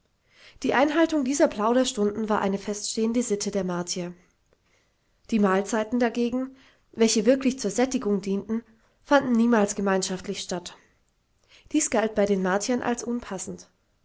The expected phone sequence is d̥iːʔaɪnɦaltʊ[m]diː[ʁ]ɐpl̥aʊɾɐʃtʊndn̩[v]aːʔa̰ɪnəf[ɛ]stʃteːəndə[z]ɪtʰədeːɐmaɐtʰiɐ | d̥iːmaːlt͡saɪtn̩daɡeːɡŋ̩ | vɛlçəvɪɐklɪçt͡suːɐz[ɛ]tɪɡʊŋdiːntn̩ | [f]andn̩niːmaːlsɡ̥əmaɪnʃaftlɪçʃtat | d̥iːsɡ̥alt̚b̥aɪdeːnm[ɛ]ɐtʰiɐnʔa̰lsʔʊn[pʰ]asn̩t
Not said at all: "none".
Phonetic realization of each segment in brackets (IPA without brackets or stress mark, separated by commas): ŋ, z, v, ɛ, z, ɛ, f, a, pʰ